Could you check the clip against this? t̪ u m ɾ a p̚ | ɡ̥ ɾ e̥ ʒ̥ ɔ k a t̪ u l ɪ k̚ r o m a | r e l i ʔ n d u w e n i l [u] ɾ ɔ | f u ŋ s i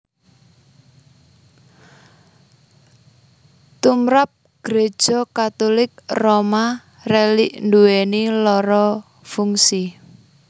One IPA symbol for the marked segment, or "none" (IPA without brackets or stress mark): ɔ